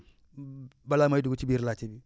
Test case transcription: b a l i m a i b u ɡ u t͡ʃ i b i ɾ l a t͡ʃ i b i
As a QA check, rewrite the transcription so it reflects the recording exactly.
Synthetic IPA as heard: b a l a m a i d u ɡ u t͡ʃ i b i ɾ l a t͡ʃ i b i